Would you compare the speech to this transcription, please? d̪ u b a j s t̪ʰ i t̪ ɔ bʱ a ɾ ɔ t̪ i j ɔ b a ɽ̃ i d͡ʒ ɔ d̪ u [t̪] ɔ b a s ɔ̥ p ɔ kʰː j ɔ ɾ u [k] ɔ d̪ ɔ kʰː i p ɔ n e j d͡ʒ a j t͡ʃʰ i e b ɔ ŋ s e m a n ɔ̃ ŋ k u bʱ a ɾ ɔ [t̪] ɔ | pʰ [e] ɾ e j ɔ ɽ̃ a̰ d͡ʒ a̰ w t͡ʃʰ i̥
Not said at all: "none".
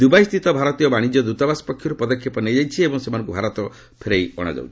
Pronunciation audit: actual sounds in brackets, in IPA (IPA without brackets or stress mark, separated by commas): t̪, p, t̪, e